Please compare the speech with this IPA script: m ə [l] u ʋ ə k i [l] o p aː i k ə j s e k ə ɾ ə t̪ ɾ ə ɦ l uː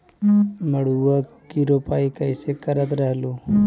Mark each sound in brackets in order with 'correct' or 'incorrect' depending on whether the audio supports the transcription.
incorrect: ɽ, incorrect: ɾ

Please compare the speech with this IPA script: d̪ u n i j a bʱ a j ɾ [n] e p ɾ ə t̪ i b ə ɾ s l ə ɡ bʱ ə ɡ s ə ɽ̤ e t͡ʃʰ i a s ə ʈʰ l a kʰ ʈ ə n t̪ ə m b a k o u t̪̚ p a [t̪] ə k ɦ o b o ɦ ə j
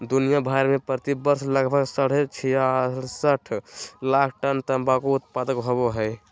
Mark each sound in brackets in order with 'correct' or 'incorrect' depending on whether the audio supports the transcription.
incorrect: m, incorrect: d̪

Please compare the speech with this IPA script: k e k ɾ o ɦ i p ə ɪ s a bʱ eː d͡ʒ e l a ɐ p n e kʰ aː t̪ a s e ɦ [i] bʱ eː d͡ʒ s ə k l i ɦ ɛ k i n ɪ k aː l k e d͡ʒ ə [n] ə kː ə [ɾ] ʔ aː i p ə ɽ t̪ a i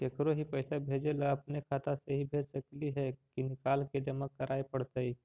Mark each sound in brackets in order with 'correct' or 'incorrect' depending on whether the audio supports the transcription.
correct, incorrect: m, correct

